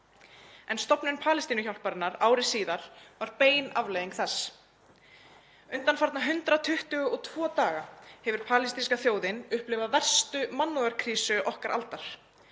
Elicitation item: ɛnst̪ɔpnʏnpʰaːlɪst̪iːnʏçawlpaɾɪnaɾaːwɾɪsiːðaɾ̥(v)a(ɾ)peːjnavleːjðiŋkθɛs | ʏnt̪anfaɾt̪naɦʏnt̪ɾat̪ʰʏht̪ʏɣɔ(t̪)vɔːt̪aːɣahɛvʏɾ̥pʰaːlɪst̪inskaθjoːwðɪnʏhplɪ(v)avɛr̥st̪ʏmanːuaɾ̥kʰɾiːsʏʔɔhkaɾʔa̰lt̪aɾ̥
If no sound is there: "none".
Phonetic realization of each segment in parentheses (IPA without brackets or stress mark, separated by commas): v, ɾ, t̪ʰ, v